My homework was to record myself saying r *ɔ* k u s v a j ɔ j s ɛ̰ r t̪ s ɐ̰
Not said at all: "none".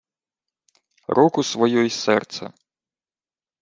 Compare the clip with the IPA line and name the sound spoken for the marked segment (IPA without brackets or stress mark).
ɔ